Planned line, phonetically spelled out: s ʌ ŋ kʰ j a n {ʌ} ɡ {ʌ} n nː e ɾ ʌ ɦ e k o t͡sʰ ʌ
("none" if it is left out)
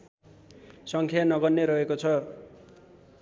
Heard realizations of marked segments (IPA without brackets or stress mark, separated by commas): ʌ, ʌ